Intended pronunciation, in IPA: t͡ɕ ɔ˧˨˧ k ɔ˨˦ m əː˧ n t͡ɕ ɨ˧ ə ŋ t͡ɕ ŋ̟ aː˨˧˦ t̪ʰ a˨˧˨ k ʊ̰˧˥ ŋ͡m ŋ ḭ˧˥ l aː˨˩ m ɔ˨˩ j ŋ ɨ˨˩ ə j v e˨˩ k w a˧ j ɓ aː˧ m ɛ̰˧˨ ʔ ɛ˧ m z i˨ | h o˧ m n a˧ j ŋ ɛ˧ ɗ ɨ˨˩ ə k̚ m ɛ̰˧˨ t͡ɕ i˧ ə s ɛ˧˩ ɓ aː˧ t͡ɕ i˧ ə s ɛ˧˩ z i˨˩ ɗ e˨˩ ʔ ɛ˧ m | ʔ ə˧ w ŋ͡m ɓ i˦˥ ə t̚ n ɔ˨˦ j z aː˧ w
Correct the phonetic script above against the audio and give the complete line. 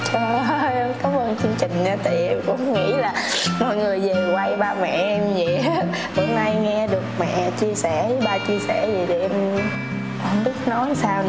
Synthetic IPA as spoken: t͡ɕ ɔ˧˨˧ k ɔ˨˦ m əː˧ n t͡ɕ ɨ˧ ə ŋ t͡ɕ ŋ̟ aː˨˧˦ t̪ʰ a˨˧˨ k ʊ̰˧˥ ŋ͡m ŋ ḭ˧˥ l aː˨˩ m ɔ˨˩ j ŋ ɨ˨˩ ə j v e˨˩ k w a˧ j ɓ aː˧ m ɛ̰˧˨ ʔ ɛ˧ m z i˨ | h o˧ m n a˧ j ŋ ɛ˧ ɗ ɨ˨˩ ə k̚ m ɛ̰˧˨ t͡ɕ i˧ ə s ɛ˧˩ ɓ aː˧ t͡ɕ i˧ ə s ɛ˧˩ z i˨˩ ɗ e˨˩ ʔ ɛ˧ m | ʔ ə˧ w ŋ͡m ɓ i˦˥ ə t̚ n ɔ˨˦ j s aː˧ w

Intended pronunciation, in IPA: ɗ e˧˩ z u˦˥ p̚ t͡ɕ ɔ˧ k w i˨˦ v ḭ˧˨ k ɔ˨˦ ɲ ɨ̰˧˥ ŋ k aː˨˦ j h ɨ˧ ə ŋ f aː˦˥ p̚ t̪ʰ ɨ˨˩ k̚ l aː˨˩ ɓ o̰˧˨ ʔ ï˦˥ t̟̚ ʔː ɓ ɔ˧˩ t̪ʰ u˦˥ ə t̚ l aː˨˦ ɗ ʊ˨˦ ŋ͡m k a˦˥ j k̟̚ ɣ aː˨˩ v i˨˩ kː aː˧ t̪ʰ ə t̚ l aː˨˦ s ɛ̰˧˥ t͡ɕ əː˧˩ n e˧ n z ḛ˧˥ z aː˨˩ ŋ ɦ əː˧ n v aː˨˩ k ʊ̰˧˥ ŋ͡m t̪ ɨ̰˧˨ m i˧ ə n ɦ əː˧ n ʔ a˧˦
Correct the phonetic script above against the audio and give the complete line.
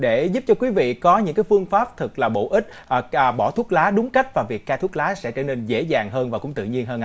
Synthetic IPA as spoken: ɗ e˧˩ z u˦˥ p̚ t͡ɕ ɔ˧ k w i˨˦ v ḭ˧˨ k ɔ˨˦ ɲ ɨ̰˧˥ ŋ k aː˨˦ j f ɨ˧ ə ŋ f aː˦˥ p̚ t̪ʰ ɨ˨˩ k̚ l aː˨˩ ɓ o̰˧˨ ʔ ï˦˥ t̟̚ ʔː ɓ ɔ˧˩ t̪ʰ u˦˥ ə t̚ l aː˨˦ ɗ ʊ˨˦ ŋ͡m k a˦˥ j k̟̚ v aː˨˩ v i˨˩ kː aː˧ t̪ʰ ə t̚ l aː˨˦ s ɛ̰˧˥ t͡ɕ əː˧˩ n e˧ n z ḛ˧˥ z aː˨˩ ŋ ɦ əː˧ n v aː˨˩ k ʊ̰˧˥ ŋ͡m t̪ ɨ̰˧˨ ɲ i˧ ə n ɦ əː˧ n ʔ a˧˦

